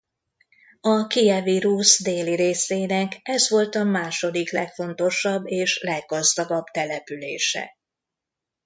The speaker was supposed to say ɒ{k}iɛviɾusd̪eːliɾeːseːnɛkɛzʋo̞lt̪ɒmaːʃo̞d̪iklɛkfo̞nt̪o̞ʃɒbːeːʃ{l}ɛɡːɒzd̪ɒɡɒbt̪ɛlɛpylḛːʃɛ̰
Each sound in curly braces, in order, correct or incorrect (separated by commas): correct, correct